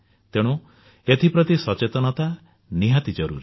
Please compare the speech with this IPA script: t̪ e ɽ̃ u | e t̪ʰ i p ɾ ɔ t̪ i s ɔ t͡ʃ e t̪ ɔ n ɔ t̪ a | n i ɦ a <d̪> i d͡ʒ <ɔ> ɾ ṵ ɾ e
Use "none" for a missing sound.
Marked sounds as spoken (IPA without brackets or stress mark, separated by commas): t̪, ɔ